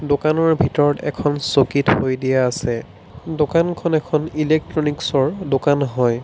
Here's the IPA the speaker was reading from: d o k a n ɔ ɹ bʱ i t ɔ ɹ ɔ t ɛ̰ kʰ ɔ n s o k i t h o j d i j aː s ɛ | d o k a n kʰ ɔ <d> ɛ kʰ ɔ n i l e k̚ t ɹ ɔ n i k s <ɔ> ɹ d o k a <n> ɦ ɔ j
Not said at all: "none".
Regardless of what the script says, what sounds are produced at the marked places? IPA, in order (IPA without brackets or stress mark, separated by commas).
n, ɔ, n